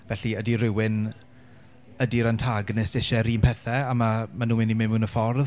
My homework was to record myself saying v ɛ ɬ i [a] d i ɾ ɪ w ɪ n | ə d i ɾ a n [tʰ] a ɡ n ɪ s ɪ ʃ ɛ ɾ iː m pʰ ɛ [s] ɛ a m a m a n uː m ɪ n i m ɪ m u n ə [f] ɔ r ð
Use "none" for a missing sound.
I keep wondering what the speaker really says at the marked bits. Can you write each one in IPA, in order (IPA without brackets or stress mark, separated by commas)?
ə, tʰ, θ, f